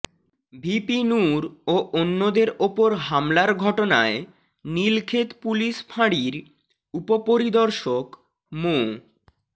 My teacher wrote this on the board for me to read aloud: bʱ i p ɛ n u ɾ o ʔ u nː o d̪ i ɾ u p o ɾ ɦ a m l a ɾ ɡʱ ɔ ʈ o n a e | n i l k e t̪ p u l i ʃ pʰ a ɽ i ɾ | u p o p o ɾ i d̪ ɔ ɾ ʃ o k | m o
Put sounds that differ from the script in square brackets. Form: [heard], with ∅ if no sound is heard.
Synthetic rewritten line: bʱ i p [i] n u ɾ o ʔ [o] nː o d̪ [e] ɾ [o] p o ɾ ɦ a m l a ɾ ɡʱ ɔ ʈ o n a e | n i l [kʰ] e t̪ p u l i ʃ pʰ a ɽ i ɾ | u p o p o ɾ i d̪ ɔ ɾ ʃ o k | m o